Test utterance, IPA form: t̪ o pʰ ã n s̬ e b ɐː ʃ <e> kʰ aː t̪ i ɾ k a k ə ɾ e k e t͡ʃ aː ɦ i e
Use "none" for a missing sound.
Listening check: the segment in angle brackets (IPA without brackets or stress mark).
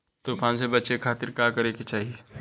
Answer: e